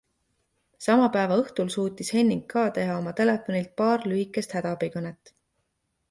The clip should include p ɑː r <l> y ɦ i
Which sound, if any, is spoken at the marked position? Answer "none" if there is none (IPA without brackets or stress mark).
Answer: l